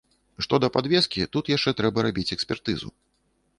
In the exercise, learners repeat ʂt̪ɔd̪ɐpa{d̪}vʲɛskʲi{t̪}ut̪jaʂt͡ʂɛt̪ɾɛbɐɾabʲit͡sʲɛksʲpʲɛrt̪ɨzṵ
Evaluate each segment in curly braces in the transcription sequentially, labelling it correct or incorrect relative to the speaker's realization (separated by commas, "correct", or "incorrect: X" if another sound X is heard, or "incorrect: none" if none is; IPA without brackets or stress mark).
correct, correct